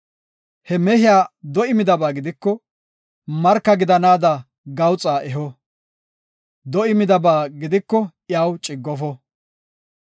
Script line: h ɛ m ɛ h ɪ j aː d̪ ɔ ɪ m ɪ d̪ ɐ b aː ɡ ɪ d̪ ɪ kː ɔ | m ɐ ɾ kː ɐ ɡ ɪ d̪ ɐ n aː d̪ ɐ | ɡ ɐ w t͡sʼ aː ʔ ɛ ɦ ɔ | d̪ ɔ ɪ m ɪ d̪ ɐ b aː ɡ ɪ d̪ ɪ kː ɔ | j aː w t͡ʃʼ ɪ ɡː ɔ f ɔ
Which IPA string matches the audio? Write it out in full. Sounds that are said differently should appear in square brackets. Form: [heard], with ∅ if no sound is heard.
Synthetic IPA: h ɛ m ɛ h ɪ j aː d̪ ɔ ɪ m ɪ d̪ ɐ b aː ɡ ɪ d̪ ɪ kː ɔ | m ɐ ɾ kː ɐ ɡ ɪ d̪ ɐ n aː d̪ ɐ | ɡ ɐ w t͡sʼ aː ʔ ɛ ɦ ɔ | d̪ ɔ ɪ m ɪ d̪ ɐ b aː ɡ ɪ d̪ ɪ kː ɔ | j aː w t͡ʃʼ ɪ ɡː ɔ f ɔ

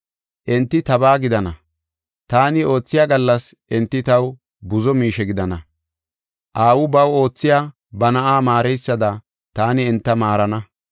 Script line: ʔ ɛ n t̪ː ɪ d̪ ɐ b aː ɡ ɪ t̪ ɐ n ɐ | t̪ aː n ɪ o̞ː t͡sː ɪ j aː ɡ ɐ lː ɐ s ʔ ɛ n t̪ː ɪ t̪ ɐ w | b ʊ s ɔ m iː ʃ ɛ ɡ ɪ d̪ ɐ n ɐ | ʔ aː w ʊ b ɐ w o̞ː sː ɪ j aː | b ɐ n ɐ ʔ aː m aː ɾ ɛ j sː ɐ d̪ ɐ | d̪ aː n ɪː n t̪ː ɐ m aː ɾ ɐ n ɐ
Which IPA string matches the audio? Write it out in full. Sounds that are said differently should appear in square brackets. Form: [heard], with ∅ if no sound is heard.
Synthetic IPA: ʔ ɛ n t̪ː ɪ [t̪] ɐ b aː ɡ ɪ [d̪] ɐ n ɐ | t̪ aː n ɪ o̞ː t͡sː ɪ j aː ɡ ɐ lː ɐ s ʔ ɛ n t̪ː ɪ t̪ ɐ w | b ʊ [z] ɔ m iː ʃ ɛ ɡ ɪ d̪ ɐ n ɐ | ʔ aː w ʊ b ɐ w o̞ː [t͡sː] ɪ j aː | b ɐ n ɐ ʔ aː m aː ɾ ɛ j sː ɐ d̪ ɐ | [t̪] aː n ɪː n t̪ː ɐ m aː ɾ ɐ n ɐ

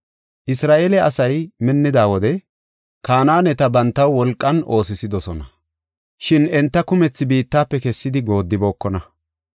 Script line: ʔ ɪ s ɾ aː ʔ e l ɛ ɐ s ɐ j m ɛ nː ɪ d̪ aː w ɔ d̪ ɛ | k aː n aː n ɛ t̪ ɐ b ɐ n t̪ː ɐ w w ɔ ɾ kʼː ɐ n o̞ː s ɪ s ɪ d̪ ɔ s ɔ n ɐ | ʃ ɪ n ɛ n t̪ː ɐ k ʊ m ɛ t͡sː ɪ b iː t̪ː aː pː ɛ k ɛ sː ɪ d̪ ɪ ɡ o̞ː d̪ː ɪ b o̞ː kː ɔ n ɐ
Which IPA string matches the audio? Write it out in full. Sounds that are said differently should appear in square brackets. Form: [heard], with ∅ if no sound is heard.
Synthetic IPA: ʔ ɪ s ɾ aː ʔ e l ɛ ɐ s ɐ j m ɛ nː ɪ d̪ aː w ɔ d̪ ɛ | k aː n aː n ɛ t̪ ɐ b ɐ n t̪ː ɐ w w ɔ [l] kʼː ɐ n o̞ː s ɪ s ɪ d̪ ɔ s ɔ n ɐ | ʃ ɪ n ɛ n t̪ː ɐ k ʊ m ɛ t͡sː ɪ b iː t̪ː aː pː ɛ k ɛ sː ɪ d̪ ɪ ɡ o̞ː d̪ː ɪ b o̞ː kː ɔ n ɐ

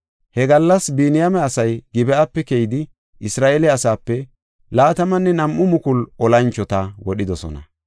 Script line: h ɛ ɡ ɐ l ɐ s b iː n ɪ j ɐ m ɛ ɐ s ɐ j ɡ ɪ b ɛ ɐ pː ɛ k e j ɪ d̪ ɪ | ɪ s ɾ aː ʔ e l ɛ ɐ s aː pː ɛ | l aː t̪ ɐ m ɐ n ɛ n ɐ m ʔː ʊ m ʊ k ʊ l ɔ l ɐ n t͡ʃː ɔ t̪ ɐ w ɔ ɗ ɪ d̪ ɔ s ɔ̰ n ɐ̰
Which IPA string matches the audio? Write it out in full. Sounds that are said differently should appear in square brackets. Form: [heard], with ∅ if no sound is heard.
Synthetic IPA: h ɛ ɡ ɐ [lː] ɐ s b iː n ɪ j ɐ m ɛ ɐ s ɐ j ɡ ɪ b ɛ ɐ pː ɛ k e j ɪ d̪ ɪ | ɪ s ɾ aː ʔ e l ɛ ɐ s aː pː ɛ | l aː t̪ ɐ m ɐ [nː] ɛ n ɐ m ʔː ʊ m ʊ k ʊ l ɔ l ɐ n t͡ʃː ɔ t̪ ɐ w ɔ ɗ ɪ d̪ ɔ s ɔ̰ n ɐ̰

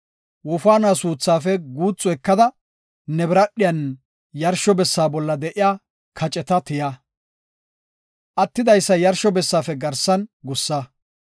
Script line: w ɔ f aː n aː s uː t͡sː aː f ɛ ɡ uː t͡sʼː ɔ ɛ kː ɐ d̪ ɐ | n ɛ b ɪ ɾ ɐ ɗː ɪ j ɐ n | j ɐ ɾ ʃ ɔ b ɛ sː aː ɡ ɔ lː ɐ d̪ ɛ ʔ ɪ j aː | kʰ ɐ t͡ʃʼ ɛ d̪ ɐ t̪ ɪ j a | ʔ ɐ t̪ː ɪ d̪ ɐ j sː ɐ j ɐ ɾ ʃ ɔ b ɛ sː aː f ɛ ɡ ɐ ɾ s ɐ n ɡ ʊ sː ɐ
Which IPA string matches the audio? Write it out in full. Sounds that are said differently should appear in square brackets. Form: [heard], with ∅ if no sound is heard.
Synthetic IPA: w ɔ f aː n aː s uː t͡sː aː f ɛ ɡ uː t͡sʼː ɔ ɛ kː ɐ d̪ ɐ | n ɛ b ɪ ɾ ɐ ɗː ɪ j ɐ n | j ɐ ɾ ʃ ɔ b ɛ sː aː [b] ɔ lː ɐ d̪ ɛ ʔ ɪ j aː | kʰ ɐ t͡ʃʼ ɛ [t̪] ɐ t̪ ɪ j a | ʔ ɐ t̪ː ɪ d̪ ɐ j sː ɐ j ɐ ɾ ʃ ɔ b ɛ sː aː f ɛ ɡ ɐ ɾ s ɐ n ɡ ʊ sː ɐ

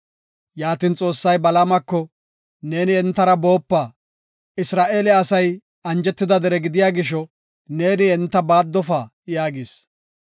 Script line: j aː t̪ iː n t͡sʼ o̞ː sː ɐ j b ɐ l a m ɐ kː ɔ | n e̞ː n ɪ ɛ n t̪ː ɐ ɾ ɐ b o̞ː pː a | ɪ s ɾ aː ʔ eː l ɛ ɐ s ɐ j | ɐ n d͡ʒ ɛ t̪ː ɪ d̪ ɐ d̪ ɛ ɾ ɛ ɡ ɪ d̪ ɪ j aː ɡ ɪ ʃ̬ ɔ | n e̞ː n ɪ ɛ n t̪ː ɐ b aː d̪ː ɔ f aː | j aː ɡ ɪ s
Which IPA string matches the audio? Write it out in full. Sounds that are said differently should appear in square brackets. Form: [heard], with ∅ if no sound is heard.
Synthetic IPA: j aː t̪ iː n t͡sʼ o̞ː sː ɐ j b ɐ l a m ɐ kː ɔ | n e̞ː n ɪ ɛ n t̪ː ɐ ɾ ɐ b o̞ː pː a | ɪ s ɾ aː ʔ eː l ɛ ɐ s ɐ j | ɐ n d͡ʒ ɛ t̪ː ɪ d̪ ɐ d̪ ɛ ɾ ɛ ɡ ɪ d̪ ɪ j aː ɡ ɪ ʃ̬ ɔ | n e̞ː n ɪ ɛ n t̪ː ɐ b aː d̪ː ɔ f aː | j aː ɡ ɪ s

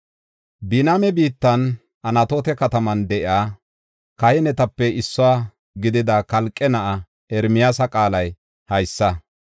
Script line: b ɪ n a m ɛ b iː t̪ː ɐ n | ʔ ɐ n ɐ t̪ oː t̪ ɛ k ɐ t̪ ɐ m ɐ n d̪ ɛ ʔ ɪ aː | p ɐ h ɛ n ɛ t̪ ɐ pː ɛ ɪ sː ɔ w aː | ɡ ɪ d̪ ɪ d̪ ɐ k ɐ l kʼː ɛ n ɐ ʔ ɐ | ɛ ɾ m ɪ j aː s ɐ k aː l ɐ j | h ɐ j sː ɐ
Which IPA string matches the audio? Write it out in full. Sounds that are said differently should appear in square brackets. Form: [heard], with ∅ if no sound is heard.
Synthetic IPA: b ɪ n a m ɛ b iː t̪ː ɐ n | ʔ ɐ n ɐ t̪ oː t̪ ɛ k ɐ t̪ ɐ m ɐ n d̪ ɛ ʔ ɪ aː | [k] ɐ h ɛ n ɛ t̪ ɐ pː ɛ ɪ sː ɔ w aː | ɡ ɪ d̪ ɪ d̪ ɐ k ɐ l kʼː ɛ n ɐ ʔ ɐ | ɛ ɾ m ɪ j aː s ɐ [kʼ] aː l ɐ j | h ɐ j sː ɐ

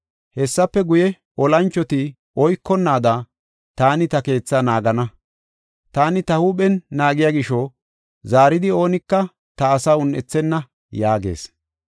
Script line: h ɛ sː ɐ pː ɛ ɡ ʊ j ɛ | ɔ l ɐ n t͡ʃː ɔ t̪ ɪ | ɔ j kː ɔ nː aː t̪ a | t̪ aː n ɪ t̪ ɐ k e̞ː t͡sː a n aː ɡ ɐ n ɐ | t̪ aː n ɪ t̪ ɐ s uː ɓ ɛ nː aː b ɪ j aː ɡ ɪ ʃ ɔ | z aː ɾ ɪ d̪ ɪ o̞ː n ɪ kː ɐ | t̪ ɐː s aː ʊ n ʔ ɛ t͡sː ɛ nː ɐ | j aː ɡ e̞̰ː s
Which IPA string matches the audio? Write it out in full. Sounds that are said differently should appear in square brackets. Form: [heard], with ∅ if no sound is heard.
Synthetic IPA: h ɛ sː ɐ pː ɛ ɡ ʊ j ɛ | ɔ l ɐ n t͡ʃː ɔ t̪ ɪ | ɔ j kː ɔ nː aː [d̪] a | t̪ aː n ɪ t̪ ɐ k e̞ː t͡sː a n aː ɡ ɐ n ɐ | t̪ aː n ɪ t̪ ɐ [h] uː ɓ ɛ nː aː [ɡ] ɪ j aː ɡ ɪ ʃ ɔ | z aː ɾ ɪ d̪ ɪ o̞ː n ɪ kː ɐ | t̪ ɐː s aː ʊ n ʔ ɛ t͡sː ɛ nː ɐ | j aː ɡ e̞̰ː s

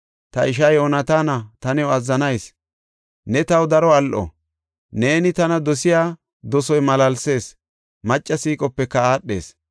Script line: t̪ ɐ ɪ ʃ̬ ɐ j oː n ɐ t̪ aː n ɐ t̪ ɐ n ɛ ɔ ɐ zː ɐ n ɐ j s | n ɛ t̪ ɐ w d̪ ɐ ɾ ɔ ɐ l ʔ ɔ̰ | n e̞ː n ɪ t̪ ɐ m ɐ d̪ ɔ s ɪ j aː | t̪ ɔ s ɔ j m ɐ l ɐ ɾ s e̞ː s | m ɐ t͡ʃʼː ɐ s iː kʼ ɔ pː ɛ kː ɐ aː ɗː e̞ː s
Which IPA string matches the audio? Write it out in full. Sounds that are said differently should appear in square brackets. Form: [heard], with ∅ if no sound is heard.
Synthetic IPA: t̪ ɐ ɪ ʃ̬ ɐ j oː n ɐ t̪ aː n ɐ t̪ ɐ n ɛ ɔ ɐ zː ɐ n ɐ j s | n ɛ t̪ ɐ w d̪ ɐ ɾ ɔ ɐ l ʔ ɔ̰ | n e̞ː n ɪ t̪ ɐ [n] ɐ d̪ ɔ s ɪ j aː | [d̪] ɔ s ɔ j m ɐ l ɐ [l] s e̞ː s | m ɐ t͡ʃʼː ɐ s iː kʼ ɔ pː ɛ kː ɐ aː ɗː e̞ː s

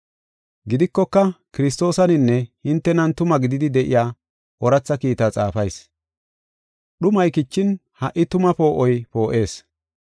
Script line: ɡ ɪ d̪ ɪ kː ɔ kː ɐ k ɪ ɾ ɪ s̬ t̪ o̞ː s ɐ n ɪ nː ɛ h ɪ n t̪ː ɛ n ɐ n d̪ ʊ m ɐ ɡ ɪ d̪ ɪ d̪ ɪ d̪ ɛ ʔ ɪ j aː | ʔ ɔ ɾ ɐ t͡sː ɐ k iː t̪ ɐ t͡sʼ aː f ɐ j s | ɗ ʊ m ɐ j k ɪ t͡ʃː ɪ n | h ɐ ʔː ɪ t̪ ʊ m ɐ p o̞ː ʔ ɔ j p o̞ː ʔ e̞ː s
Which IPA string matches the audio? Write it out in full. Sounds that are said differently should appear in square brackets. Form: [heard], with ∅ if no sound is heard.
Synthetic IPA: ɡ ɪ d̪ ɪ kː ɔ kː ɐ k ɪ ɾ ɪ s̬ t̪ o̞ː s ɐ n ɪ nː ɛ h ɪ n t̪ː ɛ n ɐ n [t̪] ʊ m ɐ ɡ ɪ d̪ ɪ d̪ ɪ d̪ ɛ ʔ ɪ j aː | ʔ ɔ ɾ ɐ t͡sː ɐ k iː t̪ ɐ t͡sʼ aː f ɐ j s | ɗ ʊ m ɐ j k ɪ t͡ʃː ɪ n | h ɐ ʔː ɪ t̪ ʊ m ɐ p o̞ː ʔ ɔ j p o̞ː ʔ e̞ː s

